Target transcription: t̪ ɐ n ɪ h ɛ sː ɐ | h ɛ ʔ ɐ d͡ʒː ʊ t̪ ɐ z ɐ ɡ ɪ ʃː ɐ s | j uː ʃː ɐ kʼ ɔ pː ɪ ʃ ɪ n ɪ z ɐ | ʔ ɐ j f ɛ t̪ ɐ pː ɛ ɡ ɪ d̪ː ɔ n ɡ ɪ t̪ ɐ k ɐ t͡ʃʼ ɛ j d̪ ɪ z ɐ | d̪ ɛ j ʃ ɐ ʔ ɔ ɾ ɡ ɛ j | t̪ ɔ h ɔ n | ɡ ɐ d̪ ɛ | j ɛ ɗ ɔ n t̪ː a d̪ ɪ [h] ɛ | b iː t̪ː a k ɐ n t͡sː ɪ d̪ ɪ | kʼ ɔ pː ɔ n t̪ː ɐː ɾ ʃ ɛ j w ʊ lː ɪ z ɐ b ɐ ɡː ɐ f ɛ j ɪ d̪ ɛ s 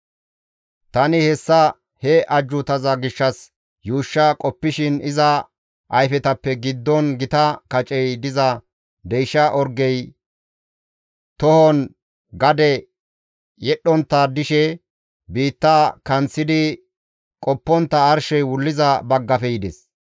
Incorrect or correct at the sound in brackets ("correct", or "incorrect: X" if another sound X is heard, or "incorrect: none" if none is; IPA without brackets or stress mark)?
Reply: incorrect: ʃ